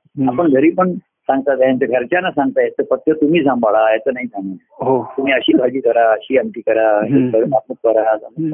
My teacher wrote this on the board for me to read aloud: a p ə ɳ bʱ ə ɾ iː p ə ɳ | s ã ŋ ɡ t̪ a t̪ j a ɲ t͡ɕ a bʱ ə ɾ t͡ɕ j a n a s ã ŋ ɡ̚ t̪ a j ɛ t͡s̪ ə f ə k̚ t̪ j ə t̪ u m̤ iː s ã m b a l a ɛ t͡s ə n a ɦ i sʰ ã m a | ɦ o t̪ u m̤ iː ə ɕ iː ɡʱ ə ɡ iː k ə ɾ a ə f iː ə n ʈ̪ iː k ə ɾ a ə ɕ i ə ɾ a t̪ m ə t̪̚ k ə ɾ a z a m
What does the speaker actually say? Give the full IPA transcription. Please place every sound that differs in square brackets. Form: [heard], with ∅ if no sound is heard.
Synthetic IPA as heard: a p ə ɳ [ɡʱ] ə ɾ iː p ə ɳ | s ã ŋ ɡ t̪ a t̪ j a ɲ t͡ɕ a [ɡʱ] ə ɾ t͡ɕ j a n a s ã ŋ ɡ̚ t̪ a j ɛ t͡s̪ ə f ə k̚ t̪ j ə t̪ u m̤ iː s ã m b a [ɭ] a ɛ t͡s ə n a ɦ i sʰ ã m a | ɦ o t̪ u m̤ iː ə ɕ iː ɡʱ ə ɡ iː k ə ɾ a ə [ɕ] iː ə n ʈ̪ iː k ə ɾ a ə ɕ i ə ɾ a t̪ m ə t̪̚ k ə ɾ a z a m